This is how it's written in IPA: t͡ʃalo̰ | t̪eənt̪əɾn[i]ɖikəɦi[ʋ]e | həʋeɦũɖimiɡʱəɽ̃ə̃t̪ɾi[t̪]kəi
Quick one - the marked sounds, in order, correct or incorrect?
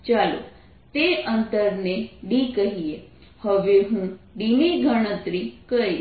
incorrect: e, incorrect: none, incorrect: none

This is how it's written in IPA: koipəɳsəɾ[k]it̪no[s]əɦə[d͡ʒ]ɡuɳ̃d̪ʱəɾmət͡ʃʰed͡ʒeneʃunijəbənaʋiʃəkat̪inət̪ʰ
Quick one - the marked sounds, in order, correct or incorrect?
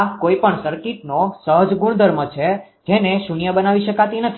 correct, correct, correct

